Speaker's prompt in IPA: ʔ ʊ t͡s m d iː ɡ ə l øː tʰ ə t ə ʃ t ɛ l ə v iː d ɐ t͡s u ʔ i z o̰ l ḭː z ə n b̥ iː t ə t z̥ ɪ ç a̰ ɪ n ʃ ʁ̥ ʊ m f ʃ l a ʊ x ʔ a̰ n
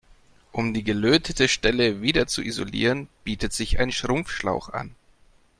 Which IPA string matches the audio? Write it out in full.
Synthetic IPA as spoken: ʔ ʊ m d iː ɡ ə l øː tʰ ə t ə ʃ t ɛ l ə v iː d ɐ t͡s u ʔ i z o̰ l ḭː ʁ ə n b̥ iː t ə t z̥ ɪ ç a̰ ɪ n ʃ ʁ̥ ʊ m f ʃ l a ʊ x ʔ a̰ n